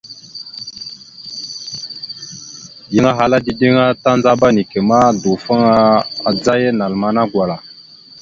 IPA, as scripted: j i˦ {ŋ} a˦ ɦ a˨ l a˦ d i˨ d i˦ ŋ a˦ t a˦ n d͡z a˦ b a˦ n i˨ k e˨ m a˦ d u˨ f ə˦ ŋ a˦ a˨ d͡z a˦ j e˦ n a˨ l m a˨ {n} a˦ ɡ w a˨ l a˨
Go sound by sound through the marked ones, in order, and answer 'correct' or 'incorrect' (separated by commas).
correct, correct